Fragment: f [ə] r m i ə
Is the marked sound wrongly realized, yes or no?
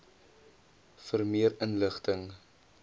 no